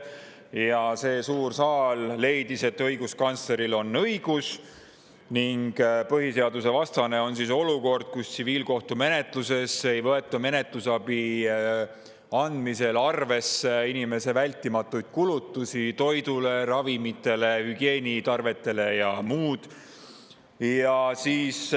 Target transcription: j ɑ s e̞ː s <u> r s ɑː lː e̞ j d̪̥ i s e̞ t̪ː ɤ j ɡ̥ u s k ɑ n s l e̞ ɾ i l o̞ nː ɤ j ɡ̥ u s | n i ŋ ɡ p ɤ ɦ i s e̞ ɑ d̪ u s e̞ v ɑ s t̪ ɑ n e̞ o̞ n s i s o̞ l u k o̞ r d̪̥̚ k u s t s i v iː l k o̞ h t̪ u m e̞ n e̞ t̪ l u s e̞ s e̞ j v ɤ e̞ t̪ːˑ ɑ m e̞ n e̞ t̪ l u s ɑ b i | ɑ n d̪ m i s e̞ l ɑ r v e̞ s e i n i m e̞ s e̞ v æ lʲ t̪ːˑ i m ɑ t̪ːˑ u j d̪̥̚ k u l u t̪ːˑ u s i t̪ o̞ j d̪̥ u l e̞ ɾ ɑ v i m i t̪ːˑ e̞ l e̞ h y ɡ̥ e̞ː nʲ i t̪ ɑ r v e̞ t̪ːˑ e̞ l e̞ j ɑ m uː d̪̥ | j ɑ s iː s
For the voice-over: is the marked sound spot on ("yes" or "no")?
no